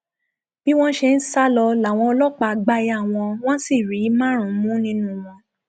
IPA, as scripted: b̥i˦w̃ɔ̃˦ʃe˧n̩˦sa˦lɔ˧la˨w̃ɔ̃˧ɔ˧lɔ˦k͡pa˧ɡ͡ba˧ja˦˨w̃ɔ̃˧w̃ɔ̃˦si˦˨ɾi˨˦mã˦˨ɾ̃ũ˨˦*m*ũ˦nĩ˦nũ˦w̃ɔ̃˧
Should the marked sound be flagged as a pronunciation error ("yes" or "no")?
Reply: no